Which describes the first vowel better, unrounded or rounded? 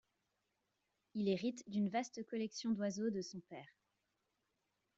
unrounded